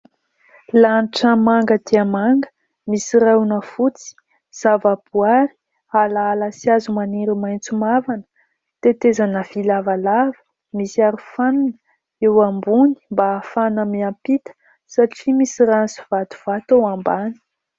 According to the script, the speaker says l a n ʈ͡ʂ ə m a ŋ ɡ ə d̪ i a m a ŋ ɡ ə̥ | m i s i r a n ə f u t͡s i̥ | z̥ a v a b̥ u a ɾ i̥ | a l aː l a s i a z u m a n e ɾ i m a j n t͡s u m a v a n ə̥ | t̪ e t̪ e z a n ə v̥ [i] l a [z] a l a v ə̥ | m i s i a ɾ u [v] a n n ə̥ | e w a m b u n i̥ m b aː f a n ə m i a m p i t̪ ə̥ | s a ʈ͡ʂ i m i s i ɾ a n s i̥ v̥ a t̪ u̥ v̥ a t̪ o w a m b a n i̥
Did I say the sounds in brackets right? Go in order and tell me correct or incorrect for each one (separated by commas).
correct, incorrect, incorrect